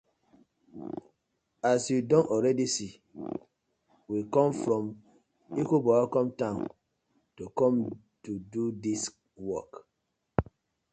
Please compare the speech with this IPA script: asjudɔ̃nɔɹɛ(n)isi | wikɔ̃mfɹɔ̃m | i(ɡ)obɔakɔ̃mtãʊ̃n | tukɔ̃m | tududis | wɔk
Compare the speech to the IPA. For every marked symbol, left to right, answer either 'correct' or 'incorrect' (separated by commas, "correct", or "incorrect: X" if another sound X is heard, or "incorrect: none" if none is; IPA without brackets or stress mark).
incorrect: d, incorrect: k